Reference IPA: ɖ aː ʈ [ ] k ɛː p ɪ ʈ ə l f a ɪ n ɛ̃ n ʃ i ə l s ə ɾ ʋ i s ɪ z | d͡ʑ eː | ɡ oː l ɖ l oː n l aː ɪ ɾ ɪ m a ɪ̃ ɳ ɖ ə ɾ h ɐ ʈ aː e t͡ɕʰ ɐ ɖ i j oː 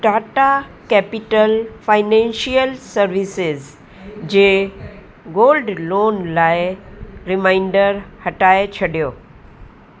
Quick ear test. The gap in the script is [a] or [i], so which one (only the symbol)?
a